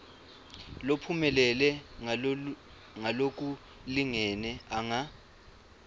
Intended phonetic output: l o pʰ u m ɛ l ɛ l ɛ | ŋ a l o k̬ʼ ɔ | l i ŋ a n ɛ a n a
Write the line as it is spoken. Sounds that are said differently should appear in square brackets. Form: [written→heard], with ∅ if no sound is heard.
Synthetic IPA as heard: l o pʰ u m ɛ l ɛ l ɛ | ŋ a l o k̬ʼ [ɔ→u] | l i ŋ [a→ɛ] n ɛ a [n→ŋ] a